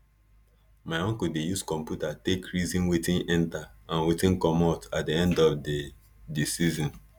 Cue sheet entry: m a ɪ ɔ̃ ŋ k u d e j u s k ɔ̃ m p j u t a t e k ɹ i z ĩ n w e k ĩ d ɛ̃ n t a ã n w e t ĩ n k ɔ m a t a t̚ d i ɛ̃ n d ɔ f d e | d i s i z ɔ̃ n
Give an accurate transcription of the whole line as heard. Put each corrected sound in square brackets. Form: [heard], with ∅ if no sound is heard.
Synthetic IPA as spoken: m a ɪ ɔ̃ ŋ k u d e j u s k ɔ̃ m p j u t a t e k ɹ i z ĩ n w e [t] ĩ [n] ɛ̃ n t a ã n w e t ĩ n k ɔ m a t a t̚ d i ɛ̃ n d ɔ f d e | d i s i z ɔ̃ n